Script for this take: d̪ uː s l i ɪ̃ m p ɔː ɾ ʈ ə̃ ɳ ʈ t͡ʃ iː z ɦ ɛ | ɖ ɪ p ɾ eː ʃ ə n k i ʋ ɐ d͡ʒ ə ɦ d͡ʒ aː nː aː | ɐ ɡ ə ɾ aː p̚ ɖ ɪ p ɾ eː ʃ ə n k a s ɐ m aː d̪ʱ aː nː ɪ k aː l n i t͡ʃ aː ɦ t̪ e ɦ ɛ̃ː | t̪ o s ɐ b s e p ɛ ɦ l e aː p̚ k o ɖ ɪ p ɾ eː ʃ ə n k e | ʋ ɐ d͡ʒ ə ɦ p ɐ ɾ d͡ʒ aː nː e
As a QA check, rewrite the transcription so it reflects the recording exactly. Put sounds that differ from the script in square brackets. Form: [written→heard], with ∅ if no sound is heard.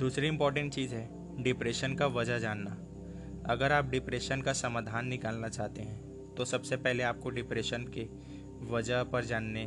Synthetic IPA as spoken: d̪ uː s [l→ɾ] i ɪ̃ m p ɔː ɾ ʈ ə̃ ɳ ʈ t͡ʃ iː z ɦ ɛ | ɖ ɪ p ɾ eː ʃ ə n k [i→a] ʋ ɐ d͡ʒ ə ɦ d͡ʒ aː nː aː | ɐ ɡ ə ɾ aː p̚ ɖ ɪ p ɾ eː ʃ ə n k a s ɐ m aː d̪ʱ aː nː ɪ k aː l n [i→a] t͡ʃ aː ɦ t̪ e ɦ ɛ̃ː | t̪ o s ɐ b s e p ɛ ɦ l e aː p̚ k o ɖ ɪ p ɾ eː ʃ ə n k e | ʋ ɐ d͡ʒ ə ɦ p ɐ ɾ d͡ʒ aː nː e